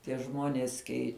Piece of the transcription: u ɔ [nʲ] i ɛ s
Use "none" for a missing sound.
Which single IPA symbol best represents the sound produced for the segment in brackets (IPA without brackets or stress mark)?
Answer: nʲ